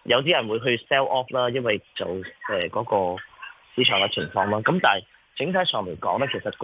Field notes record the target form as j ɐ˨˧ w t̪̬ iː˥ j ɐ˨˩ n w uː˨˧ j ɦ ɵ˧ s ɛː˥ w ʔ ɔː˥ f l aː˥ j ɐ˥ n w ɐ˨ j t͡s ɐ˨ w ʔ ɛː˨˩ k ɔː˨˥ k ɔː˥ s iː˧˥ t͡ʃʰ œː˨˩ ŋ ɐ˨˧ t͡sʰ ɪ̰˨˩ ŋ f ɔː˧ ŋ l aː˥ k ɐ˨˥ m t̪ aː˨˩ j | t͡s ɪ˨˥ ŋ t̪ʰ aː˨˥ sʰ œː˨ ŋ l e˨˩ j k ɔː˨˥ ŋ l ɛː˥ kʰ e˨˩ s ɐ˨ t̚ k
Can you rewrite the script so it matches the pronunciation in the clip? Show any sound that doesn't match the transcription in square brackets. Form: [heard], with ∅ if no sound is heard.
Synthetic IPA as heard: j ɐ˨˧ w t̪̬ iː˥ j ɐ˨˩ n w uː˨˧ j ɦ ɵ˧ s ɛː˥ w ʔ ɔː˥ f l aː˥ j ɐ˥ n w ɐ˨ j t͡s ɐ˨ w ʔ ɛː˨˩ k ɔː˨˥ k [ɔː˧] s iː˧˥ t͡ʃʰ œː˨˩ ŋ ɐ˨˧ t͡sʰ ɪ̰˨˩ ŋ f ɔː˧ ŋ l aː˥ k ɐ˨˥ m t̪ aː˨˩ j | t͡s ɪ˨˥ ŋ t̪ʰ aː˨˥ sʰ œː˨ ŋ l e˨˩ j k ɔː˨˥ ŋ l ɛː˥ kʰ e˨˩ s ɐ˨ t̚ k